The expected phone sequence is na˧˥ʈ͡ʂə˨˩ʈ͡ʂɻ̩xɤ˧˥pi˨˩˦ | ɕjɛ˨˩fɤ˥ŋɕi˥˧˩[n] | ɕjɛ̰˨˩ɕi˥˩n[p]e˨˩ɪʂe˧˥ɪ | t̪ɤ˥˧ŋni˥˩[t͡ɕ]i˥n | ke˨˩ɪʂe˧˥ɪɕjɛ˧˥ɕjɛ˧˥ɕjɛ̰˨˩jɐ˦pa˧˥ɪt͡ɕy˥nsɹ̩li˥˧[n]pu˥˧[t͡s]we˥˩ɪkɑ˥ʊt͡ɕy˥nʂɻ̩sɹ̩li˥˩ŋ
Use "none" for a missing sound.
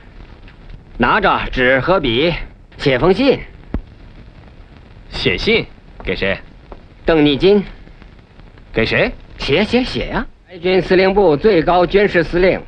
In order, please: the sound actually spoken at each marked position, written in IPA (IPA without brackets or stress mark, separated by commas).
n, k, t͡ɕ, ŋ, t͡s